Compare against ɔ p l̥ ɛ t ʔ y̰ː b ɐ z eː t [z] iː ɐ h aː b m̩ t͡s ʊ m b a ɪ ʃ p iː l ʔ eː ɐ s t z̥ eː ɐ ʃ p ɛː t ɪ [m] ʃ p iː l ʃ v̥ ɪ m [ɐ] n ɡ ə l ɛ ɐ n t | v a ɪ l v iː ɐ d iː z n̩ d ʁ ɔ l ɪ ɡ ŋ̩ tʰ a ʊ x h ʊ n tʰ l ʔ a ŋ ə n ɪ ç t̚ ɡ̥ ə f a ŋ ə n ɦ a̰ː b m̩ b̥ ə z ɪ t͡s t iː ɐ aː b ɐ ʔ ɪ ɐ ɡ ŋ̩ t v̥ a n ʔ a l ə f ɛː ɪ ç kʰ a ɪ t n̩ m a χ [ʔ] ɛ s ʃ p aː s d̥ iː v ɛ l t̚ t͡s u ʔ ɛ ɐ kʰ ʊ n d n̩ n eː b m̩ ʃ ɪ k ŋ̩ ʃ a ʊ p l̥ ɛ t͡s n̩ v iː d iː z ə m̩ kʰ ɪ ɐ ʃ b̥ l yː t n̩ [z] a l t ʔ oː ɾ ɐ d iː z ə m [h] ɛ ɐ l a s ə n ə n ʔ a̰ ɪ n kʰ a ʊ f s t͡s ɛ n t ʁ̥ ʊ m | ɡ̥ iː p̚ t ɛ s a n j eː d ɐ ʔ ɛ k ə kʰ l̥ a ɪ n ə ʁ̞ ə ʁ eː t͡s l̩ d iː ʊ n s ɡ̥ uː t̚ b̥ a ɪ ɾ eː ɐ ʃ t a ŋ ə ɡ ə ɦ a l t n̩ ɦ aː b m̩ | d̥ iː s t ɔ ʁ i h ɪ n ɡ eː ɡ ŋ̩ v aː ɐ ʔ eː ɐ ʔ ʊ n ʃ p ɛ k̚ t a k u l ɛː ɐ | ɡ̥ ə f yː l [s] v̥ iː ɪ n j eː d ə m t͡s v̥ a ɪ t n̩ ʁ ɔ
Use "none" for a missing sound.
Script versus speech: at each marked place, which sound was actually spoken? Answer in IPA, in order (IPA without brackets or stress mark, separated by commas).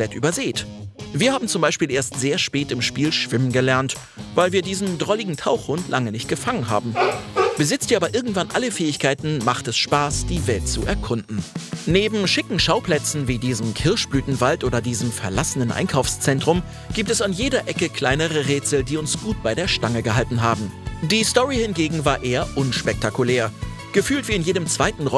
v, m, ə, t, v, f, t